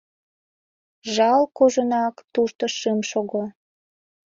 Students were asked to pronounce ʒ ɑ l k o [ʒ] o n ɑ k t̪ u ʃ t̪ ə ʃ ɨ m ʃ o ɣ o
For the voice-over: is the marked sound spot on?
yes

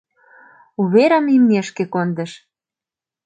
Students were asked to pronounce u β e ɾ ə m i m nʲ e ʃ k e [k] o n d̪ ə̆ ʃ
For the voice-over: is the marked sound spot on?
yes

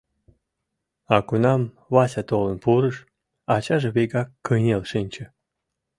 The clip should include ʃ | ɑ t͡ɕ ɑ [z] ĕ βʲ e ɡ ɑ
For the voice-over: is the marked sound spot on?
no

